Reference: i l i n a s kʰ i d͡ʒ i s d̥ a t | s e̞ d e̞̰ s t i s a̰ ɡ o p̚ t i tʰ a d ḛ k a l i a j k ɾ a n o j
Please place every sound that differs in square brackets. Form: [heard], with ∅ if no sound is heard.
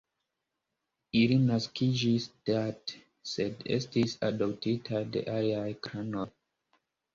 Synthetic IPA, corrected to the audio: i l i n a s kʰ i d͡ʒ i s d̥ a t | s e̞ d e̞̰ s t i s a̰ [d] o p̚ t i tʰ a d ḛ [ʔ] a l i a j k ɾ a n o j